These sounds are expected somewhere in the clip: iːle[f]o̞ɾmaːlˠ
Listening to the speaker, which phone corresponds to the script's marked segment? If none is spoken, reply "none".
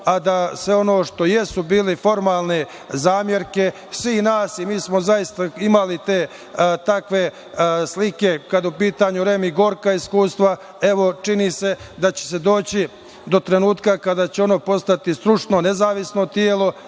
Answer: f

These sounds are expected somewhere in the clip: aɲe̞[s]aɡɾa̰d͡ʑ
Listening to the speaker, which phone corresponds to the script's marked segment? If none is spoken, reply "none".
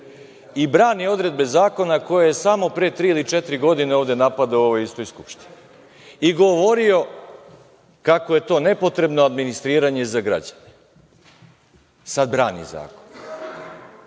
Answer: z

